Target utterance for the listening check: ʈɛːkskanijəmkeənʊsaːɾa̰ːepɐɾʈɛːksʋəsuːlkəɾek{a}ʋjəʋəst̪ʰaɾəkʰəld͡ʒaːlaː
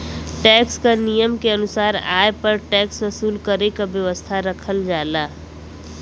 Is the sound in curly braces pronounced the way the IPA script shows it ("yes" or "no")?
yes